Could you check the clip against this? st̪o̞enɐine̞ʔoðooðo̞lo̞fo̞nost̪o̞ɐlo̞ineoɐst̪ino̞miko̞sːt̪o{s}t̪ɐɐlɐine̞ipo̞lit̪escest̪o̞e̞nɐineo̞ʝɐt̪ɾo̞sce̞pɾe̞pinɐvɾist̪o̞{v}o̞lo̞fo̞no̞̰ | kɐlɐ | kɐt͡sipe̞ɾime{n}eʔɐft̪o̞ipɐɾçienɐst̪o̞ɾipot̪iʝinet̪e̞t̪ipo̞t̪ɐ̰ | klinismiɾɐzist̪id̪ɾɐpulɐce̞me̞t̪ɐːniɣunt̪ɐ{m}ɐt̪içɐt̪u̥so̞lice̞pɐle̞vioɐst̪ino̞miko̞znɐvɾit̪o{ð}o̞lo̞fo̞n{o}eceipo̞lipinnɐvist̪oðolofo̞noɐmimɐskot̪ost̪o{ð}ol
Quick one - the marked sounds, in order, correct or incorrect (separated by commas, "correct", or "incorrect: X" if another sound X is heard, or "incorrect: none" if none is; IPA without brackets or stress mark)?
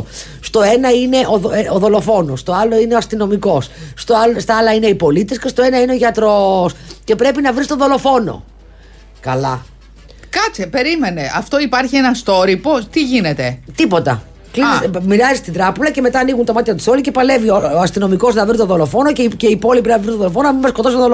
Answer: correct, incorrect: ð, correct, correct, correct, correct, correct